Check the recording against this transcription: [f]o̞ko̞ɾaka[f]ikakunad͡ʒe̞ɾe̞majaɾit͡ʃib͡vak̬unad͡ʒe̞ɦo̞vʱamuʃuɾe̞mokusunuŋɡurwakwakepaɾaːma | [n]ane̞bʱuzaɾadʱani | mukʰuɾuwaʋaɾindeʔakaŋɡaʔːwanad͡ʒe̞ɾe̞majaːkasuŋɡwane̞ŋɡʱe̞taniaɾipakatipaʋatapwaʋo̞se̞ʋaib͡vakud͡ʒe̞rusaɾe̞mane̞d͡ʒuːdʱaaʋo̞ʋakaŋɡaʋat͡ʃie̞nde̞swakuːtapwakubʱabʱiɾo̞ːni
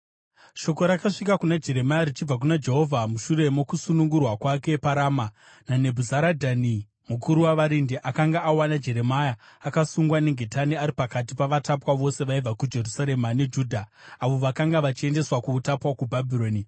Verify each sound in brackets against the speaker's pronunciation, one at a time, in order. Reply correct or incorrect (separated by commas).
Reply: incorrect, incorrect, correct